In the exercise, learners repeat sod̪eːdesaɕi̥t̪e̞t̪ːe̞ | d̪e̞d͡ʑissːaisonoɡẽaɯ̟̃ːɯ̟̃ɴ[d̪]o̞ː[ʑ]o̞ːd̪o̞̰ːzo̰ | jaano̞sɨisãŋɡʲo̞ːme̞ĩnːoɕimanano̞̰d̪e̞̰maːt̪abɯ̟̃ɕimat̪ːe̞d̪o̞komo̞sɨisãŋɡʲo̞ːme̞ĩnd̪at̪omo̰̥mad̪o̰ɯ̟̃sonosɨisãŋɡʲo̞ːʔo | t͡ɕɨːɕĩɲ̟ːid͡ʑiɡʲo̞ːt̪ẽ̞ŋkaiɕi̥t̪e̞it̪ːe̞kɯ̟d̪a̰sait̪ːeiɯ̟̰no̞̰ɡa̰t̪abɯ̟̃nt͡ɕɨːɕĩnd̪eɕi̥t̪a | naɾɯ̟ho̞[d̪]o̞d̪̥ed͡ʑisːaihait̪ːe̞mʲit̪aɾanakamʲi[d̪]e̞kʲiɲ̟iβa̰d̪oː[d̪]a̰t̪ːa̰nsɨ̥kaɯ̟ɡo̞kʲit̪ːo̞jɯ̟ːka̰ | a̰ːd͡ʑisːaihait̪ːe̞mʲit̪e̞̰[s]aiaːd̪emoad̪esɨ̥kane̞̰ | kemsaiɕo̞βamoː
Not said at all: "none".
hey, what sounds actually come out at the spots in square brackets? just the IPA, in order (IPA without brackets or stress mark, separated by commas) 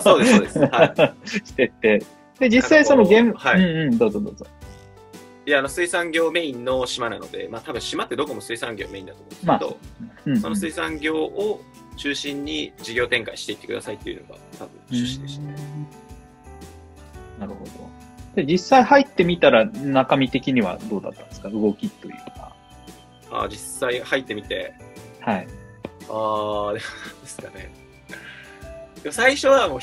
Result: d̪, z, d̪, t̪, d̪, h